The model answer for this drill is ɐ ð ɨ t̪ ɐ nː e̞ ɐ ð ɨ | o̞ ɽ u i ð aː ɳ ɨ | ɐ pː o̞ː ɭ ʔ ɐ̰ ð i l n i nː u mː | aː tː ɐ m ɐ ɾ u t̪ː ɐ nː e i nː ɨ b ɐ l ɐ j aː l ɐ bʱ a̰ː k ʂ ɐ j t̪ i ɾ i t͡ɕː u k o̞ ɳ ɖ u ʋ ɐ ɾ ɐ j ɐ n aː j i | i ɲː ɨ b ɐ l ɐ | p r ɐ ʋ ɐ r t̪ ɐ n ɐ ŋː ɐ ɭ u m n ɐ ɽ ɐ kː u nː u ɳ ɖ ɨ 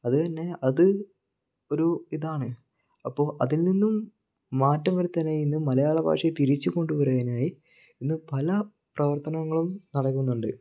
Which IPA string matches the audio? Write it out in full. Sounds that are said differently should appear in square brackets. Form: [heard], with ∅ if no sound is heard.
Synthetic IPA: ɐ ð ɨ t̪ ɐ nː e̞ ɐ ð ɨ | o̞ [ɾ] u i ð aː ɳ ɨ | ɐ pː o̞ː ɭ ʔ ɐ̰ ð i l n i nː u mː | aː tː ɐ m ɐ ɾ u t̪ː ɐ nː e i nː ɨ [m] ɐ l ɐ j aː [ɭ] ɐ bʱ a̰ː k ʂ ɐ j t̪ i ɾ i t͡ɕː u k o̞ ɳ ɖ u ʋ ɐ ɾ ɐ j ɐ n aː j i | i [nː] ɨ [p] ɐ l ɐ | p r ɐ ʋ ɐ r t̪ ɐ n ɐ ŋː ɐ ɭ u m n ɐ ɽ ɐ kː u nː u ɳ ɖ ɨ